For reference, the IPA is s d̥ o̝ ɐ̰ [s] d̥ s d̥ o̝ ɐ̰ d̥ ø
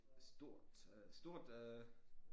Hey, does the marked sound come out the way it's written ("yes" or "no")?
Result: no